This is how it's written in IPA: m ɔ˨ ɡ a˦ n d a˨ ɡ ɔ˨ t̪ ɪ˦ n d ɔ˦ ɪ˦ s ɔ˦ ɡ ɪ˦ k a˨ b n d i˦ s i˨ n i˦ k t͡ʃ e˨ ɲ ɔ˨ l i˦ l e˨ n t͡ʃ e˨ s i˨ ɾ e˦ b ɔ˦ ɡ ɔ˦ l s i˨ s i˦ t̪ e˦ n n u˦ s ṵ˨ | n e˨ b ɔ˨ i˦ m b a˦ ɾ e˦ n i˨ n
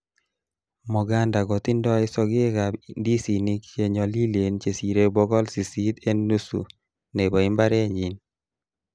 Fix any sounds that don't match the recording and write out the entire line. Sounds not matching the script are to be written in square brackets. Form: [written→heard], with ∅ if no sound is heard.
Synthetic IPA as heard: m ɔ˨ ɡ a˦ n d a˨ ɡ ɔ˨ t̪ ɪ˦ n d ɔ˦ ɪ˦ s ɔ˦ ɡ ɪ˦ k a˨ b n d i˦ s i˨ n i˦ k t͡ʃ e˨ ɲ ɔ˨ l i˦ l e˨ n t͡ʃ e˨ s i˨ ɾ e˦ b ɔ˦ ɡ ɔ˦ l s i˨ s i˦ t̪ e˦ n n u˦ s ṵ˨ | n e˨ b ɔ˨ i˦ m b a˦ ɾ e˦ [n→ɲ] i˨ n